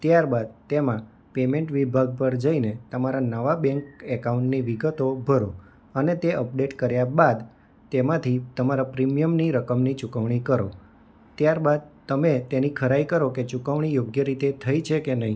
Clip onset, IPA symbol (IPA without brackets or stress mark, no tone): t̪